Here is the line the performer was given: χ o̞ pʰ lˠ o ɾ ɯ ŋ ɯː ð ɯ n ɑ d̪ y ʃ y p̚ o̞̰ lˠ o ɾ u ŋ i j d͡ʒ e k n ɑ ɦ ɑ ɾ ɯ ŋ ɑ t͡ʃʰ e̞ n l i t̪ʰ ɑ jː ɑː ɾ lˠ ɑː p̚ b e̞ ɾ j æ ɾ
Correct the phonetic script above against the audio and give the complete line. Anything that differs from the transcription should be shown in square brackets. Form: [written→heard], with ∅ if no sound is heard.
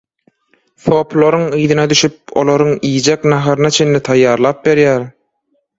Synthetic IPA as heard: [χ→θ] o̞ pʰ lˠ o ɾ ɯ ŋ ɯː ð ɯ n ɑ d̪ y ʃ y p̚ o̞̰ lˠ o ɾ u ŋ i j d͡ʒ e k n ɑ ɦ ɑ ɾ ɯ [ŋ→n] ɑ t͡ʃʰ e̞ n l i t̪ʰ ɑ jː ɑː ɾ lˠ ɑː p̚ b e̞ ɾ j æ ɾ